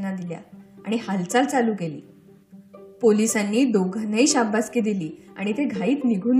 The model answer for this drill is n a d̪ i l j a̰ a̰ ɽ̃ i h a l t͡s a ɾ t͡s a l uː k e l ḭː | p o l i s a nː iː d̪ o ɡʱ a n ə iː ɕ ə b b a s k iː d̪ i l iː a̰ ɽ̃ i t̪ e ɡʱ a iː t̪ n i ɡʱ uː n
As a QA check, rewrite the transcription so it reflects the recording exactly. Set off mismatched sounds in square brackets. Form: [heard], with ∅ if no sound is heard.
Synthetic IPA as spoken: n a d̪ i l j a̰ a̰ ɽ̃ i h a l t͡s a [l] t͡s a l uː k e l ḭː | p o l i s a nː iː d̪ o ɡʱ a n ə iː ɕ [a] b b a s k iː d̪ i l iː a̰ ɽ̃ i t̪ e ɡʱ a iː t̪ n i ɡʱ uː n